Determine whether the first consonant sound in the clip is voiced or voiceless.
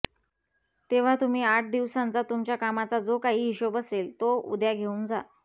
voiceless